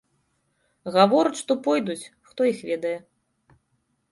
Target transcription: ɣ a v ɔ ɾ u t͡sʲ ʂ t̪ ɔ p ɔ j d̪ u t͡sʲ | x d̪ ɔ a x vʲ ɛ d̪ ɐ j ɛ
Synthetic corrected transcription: ɣ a v ɔ ɾ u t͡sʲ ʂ t̪ ɔ p ɔ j d̪ u t͡sʲ | x t̪ ɔ i x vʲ ɛ d̪ ɐ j ɛ